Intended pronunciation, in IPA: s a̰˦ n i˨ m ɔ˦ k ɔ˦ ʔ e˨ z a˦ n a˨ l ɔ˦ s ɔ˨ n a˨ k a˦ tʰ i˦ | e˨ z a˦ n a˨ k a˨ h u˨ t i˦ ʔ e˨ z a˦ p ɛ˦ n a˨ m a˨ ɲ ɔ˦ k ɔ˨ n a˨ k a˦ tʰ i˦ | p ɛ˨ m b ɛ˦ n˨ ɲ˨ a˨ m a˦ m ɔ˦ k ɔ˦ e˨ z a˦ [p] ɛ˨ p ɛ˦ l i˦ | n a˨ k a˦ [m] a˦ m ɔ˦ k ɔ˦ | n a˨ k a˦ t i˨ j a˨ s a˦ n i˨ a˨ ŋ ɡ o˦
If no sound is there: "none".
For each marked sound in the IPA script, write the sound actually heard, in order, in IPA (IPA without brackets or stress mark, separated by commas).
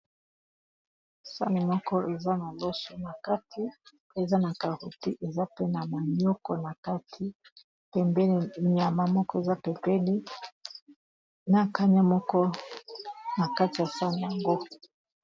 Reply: p, ɲ